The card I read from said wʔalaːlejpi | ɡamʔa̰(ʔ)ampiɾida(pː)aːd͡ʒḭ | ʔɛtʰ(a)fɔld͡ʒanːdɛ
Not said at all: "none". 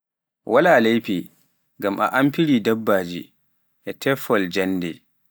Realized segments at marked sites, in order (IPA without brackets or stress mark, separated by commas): ʔ, bː, ɛ